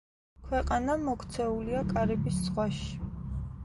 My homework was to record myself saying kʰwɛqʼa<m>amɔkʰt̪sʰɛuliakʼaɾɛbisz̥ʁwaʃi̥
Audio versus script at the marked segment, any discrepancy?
yes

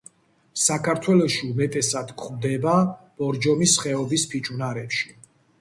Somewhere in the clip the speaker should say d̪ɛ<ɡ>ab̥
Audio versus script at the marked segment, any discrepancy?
yes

